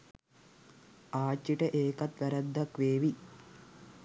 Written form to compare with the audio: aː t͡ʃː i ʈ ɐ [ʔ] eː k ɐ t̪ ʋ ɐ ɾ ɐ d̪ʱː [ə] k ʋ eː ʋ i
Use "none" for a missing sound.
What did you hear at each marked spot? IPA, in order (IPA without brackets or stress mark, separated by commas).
ʔ, ɐ